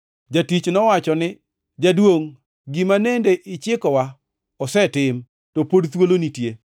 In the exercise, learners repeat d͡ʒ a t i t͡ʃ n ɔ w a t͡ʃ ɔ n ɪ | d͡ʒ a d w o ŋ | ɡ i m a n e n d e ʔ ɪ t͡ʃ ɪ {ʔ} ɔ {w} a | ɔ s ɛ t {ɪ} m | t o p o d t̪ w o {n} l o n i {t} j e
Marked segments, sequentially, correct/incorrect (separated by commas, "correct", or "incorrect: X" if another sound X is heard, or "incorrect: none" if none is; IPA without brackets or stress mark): incorrect: k, correct, correct, incorrect: none, correct